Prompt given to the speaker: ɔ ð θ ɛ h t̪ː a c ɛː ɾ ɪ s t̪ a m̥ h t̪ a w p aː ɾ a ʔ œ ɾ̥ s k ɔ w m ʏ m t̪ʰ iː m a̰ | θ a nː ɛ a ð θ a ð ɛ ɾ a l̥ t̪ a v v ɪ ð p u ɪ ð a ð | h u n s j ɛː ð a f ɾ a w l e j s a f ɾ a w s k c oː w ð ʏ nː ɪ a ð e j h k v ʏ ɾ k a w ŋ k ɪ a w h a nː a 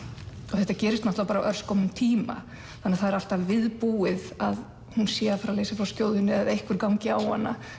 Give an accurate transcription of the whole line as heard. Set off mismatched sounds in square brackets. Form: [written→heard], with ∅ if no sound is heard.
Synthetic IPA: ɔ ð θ ɛ h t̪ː a c ɛː ɾ ɪ s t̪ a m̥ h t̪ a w p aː ɾ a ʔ œ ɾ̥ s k ɔ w m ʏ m t̪ʰ iː m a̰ | θ a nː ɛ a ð θ a ð ɛ ɾ a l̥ t̪ a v v ɪ ð p u ɪ ð a ð | h u n s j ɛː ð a f ɾ a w l e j s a f ɾ a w s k c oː w ð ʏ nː ɪ a ð e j h k v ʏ ɾ k a w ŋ [k→c] ɪ a w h a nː a